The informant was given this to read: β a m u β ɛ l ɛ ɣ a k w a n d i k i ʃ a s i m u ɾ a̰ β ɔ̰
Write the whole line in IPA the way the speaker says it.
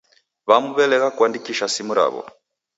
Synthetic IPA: β a m u β ɛ l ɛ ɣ a k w a n d i k i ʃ a s i m u ɾ a̰ β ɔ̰